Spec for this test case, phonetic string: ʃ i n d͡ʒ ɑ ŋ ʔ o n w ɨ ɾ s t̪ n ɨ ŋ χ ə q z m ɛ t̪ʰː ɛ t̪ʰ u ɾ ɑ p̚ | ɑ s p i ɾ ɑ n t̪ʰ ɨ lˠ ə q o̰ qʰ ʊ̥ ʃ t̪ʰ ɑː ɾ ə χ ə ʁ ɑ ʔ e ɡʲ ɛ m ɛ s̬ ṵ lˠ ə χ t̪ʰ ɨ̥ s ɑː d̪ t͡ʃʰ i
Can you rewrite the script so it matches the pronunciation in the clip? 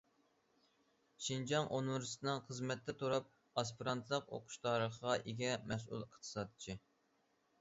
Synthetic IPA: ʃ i n d͡ʒ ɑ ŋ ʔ o n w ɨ ɾ s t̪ n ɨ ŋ χ ə z m ɛ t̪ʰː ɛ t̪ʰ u ɾ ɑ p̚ | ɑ s p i ɾ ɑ n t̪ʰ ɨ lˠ ə q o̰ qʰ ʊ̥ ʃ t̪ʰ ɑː ɾ ə χ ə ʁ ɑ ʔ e ɡʲ ɛ m ɛ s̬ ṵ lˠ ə χ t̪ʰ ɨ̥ s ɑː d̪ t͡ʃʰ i